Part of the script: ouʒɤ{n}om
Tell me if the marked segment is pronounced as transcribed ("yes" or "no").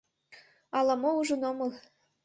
yes